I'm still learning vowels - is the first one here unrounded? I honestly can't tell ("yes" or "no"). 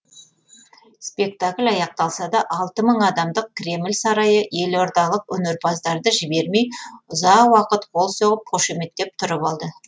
yes